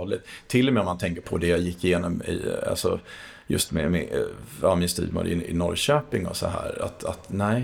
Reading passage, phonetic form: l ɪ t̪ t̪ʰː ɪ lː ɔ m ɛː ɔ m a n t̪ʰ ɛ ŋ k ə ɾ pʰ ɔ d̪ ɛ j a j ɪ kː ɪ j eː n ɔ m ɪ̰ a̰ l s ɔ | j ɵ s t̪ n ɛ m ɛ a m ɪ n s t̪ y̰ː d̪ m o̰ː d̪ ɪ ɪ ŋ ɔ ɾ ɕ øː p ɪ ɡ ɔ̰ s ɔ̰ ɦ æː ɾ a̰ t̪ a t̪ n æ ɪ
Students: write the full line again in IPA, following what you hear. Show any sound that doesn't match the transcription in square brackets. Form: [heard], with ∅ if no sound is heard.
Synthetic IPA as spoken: l ɪ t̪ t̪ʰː ɪ lː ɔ m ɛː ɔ m a n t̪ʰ ɛ ŋ k ə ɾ pʰ ɔ d̪ ɛ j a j ɪ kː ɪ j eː n ɔ m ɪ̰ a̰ l s ɔ | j ɵ s t̪ [m] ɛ m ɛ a m ɪ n s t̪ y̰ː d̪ m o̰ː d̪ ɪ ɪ [n] ɔ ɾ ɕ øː p ɪ [ŋ] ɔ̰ s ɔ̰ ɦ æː ɾ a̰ t̪ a t̪ n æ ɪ